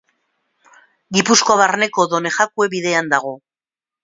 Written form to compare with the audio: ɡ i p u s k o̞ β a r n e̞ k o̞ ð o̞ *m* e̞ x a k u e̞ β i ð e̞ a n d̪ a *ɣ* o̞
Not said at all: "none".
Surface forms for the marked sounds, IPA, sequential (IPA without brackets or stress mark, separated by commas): n, ɣ